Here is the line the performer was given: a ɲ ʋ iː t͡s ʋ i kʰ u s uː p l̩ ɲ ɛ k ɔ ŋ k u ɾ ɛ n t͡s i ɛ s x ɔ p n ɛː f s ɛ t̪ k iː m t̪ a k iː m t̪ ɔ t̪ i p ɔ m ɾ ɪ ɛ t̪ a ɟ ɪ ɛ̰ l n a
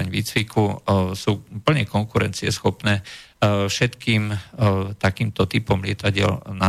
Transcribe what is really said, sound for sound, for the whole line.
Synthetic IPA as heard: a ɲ ʋ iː t͡s ʋ i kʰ u s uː p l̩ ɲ ɛ k ɔ ŋ k u ɾ ɛ n t͡s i ɛ s x ɔ p n ɛː f ʃ ɛ t̪ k iː m t̪ a k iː m t̪ ɔ t̪ i p ɔ m l ɪ ɛ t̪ a ɟ ɪ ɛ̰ l n a